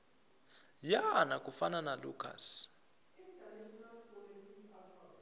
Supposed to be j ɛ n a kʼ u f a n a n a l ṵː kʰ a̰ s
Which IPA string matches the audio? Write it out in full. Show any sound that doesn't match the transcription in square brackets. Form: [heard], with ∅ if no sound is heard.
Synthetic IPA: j [a] n a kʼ u f a n a n a l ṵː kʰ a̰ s